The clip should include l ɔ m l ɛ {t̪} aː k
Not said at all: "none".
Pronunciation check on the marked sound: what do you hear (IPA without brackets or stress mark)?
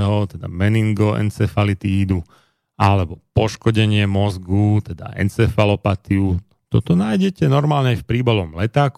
t̪